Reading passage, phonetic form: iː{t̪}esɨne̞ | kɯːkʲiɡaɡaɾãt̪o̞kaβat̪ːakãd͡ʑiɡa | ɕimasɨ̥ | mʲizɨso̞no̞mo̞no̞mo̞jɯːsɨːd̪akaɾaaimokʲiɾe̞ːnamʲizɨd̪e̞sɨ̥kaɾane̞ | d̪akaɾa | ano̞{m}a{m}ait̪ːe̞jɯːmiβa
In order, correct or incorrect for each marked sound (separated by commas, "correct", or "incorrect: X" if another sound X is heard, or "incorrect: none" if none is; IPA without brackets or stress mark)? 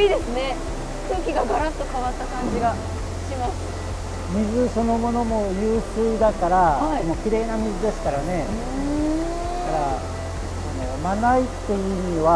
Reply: incorrect: d̪, correct, incorrect: n